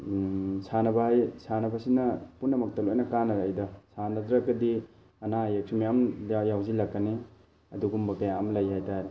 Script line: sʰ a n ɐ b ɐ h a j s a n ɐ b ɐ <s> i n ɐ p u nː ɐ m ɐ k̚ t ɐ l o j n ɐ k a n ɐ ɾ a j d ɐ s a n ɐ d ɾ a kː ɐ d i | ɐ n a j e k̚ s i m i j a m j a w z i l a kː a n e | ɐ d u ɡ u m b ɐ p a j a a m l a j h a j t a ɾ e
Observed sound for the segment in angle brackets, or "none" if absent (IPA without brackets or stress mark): s